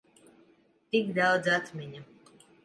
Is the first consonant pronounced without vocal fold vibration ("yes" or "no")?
yes